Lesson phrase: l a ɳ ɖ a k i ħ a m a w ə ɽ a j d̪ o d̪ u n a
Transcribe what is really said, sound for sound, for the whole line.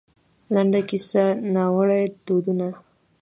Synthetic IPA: l a ɳ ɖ a k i s a n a w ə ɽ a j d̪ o d̪ u n a